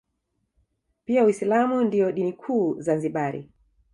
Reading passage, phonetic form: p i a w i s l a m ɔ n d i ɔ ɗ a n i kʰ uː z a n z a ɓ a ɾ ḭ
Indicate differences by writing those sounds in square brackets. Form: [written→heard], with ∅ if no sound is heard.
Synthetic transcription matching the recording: p i a w i s l a m [ɔ→u] n d i ɔ ɗ [a→i] n i kʰ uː z a n z [a→i] ɓ a ɾ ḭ